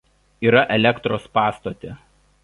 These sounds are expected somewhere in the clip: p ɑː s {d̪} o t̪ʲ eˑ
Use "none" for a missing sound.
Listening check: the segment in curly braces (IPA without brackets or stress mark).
t̪